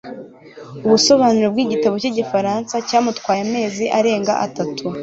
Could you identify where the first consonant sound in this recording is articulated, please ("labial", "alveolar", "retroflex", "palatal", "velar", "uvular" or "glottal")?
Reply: labial